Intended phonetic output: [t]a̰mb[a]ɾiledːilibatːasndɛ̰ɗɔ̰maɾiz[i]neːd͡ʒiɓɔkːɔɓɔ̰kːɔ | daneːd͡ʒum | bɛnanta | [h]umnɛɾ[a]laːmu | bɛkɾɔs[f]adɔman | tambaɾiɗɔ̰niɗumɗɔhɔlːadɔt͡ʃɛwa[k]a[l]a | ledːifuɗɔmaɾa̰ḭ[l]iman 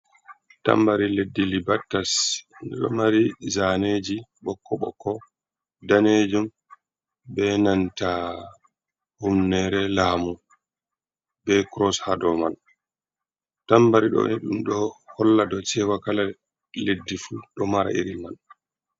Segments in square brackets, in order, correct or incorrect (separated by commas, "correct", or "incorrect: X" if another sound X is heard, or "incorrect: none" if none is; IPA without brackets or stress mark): correct, correct, incorrect: a, correct, incorrect: ɛ, incorrect: h, correct, correct, incorrect: ɾ